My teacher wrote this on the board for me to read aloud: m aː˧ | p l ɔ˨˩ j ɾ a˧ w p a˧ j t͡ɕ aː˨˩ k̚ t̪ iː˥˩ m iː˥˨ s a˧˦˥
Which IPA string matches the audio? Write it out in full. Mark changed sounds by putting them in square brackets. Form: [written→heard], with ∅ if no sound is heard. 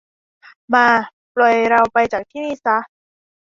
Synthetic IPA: m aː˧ | p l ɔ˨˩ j ɾ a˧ w p a˧ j t͡ɕ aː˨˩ k̚ [t̪→t̪ʰ] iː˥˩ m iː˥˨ s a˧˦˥